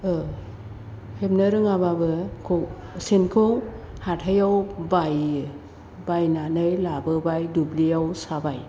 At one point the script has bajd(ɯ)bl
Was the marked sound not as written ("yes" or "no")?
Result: yes